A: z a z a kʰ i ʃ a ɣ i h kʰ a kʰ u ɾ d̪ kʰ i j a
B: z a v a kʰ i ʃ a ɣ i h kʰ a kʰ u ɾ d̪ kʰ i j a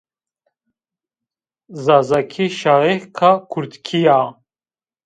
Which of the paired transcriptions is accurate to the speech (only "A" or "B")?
A